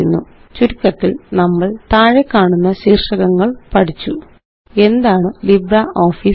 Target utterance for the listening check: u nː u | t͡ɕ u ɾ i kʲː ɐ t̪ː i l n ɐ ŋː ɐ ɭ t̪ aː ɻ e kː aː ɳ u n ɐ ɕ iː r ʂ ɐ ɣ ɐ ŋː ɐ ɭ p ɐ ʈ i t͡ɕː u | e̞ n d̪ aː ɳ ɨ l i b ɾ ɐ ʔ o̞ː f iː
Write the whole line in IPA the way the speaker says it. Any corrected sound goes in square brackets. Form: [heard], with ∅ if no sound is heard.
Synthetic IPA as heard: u nː u | t͡ɕ u ɾ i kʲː ɐ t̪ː i l n ɐ [mː] ɐ ɭ t̪ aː ɻ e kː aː ɳ u [nː] ɐ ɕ iː r ʂ ɐ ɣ ɐ ŋː ɐ ɭ p ɐ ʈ i t͡ɕː u | e̞ n d̪ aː ɳ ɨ l i b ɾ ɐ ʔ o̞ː f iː